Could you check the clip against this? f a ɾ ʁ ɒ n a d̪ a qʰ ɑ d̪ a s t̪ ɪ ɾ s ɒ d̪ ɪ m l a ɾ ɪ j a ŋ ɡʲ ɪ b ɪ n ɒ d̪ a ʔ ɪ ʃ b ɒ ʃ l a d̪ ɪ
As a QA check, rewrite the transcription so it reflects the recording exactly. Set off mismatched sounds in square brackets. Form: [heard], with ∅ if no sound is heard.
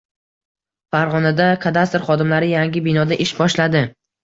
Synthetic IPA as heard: f a ɾ ʁ ɒ n a d̪ a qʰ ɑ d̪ a s t̪ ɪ ɾ [χ] ɒ d̪ ɪ m l a ɾ ɪ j a ŋ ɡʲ ɪ b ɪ n ɒ d̪ a ʔ ɪ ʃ b ɒ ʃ l a d̪ ɪ